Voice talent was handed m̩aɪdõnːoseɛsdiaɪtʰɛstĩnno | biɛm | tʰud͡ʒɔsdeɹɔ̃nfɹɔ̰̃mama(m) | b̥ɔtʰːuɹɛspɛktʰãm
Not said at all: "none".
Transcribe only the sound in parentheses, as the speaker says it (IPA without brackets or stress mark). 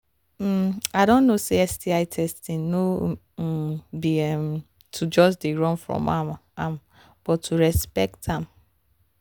m